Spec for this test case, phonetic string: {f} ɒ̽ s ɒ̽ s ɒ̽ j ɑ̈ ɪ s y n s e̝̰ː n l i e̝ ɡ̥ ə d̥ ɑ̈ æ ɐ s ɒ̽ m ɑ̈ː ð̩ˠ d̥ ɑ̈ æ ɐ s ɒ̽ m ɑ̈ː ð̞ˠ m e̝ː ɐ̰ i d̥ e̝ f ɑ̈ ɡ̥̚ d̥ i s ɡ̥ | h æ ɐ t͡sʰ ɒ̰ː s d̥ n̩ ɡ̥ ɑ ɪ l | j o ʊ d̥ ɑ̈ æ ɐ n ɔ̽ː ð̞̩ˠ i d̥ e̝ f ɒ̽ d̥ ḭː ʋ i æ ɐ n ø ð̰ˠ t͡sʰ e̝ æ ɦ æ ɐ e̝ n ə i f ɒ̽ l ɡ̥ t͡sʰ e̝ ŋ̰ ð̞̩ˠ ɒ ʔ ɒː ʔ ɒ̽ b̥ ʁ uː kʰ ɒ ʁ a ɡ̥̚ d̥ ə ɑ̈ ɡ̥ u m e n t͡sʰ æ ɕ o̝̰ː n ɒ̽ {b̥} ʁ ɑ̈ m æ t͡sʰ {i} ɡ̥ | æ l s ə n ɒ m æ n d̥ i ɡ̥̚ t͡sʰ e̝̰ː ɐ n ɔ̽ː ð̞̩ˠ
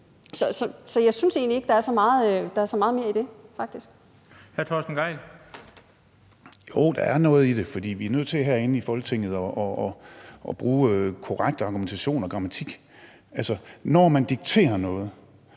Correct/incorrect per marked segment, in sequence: incorrect, incorrect, correct

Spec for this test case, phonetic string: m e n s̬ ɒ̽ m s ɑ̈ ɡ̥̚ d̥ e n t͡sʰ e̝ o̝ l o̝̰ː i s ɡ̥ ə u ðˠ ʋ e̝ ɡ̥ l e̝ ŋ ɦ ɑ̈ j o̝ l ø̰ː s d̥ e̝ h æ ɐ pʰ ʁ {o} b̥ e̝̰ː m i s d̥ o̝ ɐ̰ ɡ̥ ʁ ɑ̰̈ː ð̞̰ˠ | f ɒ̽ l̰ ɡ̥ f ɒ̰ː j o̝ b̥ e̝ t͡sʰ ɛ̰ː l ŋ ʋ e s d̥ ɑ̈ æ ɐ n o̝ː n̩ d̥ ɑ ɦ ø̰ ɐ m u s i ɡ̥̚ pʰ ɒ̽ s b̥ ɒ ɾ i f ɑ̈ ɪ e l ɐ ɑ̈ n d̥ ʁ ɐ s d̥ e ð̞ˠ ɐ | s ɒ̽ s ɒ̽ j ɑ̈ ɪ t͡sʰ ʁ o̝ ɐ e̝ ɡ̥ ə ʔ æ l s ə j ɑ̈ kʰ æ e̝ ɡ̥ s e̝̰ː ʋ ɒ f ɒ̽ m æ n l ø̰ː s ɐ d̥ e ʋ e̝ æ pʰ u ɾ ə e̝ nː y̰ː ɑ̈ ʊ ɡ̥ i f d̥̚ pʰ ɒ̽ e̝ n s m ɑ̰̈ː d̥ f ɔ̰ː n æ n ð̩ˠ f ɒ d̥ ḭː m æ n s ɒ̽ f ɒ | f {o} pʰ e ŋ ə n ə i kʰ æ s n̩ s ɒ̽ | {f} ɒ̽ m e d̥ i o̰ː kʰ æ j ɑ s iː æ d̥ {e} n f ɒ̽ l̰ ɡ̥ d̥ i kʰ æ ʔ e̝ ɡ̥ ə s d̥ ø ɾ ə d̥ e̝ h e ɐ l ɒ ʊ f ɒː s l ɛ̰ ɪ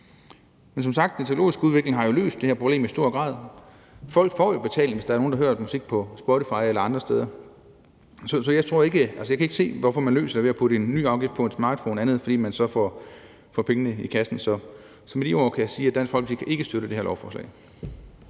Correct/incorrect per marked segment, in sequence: correct, incorrect, incorrect, incorrect

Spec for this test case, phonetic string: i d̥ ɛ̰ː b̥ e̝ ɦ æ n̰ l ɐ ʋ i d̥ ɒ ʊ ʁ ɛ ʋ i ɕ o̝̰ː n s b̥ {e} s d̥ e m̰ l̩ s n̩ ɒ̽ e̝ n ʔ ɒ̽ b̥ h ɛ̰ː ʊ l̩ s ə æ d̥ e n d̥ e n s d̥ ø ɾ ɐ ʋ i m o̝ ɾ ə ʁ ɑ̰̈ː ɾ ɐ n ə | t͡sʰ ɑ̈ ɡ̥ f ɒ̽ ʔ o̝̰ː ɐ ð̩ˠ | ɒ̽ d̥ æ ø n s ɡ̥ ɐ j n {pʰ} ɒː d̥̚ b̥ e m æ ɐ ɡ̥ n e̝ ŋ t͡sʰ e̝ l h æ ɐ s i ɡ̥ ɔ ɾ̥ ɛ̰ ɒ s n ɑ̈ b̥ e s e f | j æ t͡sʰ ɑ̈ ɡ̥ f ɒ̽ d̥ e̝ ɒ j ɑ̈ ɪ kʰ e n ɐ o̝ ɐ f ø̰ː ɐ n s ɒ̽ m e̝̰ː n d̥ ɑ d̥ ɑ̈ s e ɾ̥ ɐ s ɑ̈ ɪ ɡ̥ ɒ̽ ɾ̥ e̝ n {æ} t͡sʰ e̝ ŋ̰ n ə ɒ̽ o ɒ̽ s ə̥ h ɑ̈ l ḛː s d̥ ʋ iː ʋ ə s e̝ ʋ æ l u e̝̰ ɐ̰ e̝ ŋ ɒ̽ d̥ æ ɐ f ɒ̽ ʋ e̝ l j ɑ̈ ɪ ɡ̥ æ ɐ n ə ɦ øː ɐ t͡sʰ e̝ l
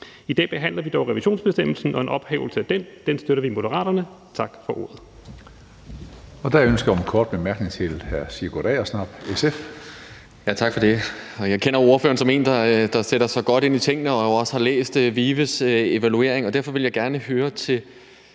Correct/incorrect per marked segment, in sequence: correct, incorrect, incorrect

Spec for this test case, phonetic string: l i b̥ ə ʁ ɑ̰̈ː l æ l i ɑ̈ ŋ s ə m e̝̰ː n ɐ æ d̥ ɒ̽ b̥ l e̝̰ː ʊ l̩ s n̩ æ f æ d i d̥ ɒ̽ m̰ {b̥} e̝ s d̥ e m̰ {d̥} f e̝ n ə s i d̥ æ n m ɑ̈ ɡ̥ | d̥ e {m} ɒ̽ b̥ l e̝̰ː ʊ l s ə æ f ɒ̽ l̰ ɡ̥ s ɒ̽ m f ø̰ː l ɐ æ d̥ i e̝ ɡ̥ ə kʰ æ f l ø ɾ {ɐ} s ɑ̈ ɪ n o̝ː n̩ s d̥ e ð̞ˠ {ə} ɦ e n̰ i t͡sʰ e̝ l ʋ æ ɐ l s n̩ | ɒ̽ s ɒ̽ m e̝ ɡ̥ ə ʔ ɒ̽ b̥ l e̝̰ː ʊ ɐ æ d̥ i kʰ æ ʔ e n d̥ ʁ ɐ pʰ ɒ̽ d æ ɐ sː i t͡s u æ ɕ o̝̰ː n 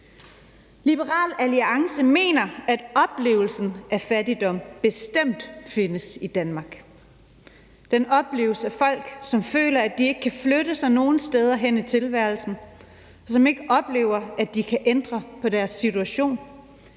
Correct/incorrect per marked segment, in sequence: correct, correct, incorrect, incorrect, incorrect

